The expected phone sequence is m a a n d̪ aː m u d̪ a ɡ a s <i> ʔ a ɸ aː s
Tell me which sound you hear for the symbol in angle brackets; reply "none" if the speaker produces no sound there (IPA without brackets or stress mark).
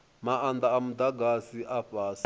i